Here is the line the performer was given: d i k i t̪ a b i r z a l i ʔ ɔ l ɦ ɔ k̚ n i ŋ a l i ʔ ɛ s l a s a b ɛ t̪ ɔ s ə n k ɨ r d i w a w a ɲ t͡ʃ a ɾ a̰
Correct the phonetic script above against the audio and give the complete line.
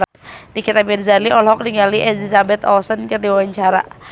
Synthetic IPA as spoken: d i k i t̪ a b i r z a l i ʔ ɔ l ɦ ɔ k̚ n i ŋ a l i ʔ ɛ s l i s a b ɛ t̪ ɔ s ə n k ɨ r d i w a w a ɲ t͡ʃ a ɾ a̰